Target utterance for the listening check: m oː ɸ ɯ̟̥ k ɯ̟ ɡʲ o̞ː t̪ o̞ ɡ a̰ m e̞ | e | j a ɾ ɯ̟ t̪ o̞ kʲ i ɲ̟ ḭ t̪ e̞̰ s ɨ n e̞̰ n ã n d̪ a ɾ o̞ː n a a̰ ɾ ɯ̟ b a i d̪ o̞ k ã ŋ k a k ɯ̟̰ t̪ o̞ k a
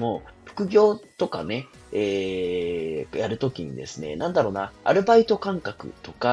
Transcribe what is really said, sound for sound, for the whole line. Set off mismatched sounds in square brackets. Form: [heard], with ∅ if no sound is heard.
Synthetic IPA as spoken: m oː ɸ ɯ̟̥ k ɯ̟ ɡʲ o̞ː t̪ o̞ [k] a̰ [n] e̞ | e | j a ɾ ɯ̟ t̪ o̞ kʲ i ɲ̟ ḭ [d̪] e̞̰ s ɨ n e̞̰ n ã n d̪ a ɾ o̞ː n a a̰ ɾ ɯ̟ b a i [t̪] o̞ k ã ŋ k a k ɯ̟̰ t̪ o̞ k a